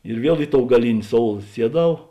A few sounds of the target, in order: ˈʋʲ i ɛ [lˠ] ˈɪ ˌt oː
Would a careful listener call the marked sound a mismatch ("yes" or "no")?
no